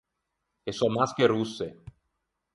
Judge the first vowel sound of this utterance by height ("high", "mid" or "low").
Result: mid